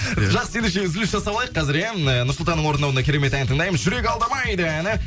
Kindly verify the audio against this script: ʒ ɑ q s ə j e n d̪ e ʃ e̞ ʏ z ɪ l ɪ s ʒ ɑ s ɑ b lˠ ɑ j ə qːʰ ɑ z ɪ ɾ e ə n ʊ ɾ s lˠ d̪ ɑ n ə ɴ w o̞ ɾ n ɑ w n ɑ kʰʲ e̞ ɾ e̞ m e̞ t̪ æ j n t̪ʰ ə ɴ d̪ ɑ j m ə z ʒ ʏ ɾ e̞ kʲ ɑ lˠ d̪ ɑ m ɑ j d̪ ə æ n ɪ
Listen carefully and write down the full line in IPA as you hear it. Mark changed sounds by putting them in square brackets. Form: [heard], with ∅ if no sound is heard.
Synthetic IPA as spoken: ʒ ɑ q s ə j e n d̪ e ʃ e̞ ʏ z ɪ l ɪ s ʒ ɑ s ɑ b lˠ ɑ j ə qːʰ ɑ z ɪ ɾ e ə n ʊ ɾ s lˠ [t̪] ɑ n ə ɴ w o̞ ɾ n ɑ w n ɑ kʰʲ e̞ ɾ e̞ m e̞ t̪ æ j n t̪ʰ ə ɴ d̪ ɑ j m ə z ʒ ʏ ɾ e̞ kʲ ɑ lˠ d̪ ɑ m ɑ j d̪ ə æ n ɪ